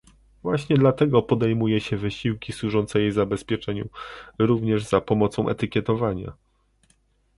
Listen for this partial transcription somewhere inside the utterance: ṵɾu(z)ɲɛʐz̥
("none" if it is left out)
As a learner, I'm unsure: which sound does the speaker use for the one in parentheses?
v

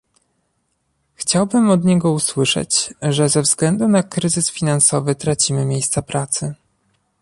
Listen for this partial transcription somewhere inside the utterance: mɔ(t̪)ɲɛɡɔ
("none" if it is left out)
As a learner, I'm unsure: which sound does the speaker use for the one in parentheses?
d̪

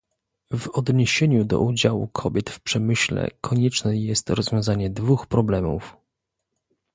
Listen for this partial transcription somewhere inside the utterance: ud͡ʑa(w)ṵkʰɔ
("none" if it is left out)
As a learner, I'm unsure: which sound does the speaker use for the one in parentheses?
w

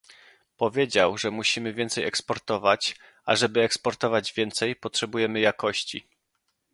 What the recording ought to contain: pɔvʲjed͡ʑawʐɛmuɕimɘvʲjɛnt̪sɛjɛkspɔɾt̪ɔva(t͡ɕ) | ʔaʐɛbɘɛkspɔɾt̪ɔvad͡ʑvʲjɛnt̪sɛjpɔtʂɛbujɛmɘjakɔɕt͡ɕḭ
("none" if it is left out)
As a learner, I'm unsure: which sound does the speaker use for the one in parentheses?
t͡ɕ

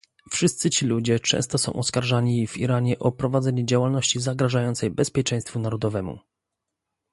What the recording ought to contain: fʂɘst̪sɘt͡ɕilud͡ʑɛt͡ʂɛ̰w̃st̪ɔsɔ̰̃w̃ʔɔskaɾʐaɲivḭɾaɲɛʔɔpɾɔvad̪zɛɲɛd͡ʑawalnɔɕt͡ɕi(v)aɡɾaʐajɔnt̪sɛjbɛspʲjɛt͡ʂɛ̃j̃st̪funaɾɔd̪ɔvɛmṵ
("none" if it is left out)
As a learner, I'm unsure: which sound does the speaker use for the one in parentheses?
z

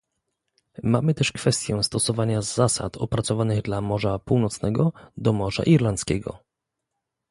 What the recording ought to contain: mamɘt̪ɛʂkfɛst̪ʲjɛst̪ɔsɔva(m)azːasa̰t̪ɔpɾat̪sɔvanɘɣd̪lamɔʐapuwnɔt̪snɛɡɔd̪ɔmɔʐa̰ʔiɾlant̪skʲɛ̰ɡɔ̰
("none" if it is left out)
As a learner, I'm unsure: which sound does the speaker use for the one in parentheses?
ɲ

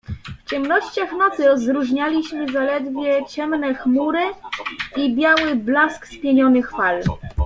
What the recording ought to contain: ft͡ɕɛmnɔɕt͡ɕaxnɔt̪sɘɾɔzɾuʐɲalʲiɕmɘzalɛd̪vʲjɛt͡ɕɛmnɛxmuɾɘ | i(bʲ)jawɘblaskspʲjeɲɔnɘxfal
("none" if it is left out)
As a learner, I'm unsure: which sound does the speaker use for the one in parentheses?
bʲ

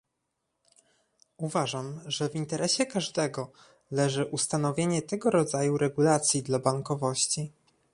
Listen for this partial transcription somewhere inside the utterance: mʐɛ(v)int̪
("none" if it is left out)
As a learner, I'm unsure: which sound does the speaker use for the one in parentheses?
v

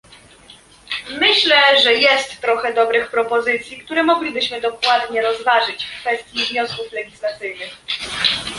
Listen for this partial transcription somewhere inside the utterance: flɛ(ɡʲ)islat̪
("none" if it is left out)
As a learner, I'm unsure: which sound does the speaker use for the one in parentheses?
ɡʲ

